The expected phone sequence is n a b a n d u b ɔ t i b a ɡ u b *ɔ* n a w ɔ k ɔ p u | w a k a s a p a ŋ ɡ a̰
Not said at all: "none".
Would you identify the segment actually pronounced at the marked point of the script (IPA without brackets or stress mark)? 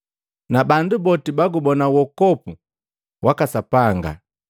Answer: ɔ